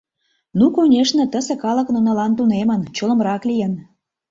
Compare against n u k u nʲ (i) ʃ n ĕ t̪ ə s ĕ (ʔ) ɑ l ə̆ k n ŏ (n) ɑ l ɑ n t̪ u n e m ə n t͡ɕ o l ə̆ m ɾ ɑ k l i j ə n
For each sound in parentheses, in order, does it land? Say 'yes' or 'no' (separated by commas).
no, no, yes